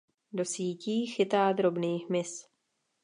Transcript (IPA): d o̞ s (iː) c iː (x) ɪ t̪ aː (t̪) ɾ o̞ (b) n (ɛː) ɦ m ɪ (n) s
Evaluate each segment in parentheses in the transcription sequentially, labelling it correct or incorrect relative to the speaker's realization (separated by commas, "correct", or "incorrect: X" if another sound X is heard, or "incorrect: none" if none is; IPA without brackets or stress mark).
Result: correct, correct, incorrect: d̪, correct, incorrect: iː, incorrect: none